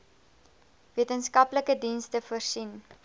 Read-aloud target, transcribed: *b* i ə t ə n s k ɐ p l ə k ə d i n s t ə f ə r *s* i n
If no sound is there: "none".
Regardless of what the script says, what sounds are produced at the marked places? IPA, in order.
v, s

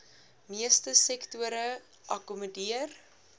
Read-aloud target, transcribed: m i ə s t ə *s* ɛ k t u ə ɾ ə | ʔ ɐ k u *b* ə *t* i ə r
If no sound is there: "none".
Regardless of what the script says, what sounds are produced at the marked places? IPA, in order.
s, m, d

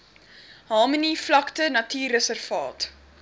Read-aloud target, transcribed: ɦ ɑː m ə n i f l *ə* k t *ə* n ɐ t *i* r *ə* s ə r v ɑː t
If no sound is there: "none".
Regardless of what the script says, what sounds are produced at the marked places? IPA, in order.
ɐ, ə, iː, ə

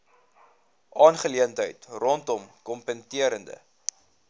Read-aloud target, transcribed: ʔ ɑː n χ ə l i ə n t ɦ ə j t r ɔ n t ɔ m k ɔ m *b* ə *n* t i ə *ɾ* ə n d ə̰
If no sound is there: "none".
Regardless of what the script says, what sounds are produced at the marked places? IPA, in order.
p, n, ɾ

